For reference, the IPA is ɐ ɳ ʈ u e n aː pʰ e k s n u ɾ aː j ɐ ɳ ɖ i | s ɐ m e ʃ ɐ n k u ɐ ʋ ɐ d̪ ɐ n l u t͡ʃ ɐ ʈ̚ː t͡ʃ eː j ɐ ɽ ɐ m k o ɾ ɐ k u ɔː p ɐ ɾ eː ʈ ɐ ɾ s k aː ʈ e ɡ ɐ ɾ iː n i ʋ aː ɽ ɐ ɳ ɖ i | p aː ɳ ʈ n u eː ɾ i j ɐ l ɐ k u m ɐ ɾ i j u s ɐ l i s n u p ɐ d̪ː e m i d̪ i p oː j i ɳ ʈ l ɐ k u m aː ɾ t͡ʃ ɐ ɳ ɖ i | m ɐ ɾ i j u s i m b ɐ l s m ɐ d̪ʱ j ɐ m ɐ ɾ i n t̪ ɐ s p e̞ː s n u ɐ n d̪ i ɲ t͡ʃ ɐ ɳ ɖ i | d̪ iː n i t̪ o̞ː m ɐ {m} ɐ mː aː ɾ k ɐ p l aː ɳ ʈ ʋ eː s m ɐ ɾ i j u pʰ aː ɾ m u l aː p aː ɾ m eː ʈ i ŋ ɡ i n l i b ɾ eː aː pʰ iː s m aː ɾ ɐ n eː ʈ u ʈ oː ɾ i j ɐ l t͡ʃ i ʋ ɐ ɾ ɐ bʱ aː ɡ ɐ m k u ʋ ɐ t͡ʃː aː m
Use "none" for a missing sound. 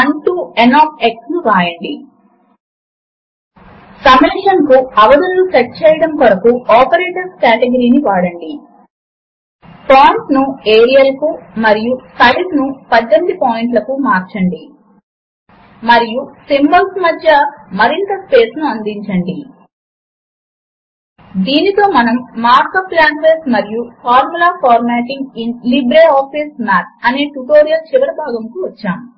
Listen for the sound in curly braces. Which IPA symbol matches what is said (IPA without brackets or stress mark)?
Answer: n